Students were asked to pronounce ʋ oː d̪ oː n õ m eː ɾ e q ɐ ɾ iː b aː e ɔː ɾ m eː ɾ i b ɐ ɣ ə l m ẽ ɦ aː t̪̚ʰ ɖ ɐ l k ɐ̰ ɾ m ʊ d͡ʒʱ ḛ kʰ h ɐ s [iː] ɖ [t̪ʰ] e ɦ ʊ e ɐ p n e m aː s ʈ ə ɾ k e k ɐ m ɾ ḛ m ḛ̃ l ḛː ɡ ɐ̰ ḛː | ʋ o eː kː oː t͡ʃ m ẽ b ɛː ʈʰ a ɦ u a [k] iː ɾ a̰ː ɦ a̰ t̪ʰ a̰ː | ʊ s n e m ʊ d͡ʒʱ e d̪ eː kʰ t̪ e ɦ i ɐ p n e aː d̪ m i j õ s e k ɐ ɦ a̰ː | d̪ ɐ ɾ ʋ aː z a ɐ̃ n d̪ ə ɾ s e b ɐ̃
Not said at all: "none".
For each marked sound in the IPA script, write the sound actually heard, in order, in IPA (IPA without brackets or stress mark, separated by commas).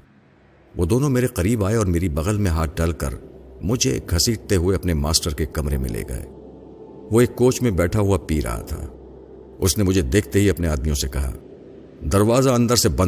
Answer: iː, t̪, p